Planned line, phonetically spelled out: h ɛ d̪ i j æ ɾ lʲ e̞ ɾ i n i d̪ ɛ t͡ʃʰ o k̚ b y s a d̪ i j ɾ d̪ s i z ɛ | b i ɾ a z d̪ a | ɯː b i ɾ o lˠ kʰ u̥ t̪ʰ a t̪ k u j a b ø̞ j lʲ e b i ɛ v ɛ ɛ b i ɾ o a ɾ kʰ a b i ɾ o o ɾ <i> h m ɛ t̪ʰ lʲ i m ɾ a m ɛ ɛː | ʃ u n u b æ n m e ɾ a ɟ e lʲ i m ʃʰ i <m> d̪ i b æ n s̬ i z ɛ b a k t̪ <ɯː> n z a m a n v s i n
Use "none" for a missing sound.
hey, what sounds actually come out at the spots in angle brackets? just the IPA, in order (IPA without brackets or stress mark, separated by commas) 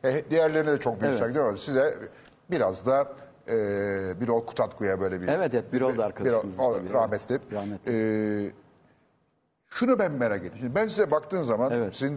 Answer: a, n, ɯː